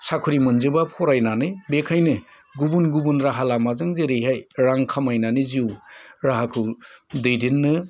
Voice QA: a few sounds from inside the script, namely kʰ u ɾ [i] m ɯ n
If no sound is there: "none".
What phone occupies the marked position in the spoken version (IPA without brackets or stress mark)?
i